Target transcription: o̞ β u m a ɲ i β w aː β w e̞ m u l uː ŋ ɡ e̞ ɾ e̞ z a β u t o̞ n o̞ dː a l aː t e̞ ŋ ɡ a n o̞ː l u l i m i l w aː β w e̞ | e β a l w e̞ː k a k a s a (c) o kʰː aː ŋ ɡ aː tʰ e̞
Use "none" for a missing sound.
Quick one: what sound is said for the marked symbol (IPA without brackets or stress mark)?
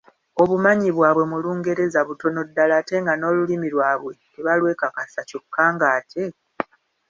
c